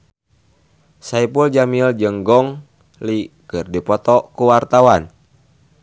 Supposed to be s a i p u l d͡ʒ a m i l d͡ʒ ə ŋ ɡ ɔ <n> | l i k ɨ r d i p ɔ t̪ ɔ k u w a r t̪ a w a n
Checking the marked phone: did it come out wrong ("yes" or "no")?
yes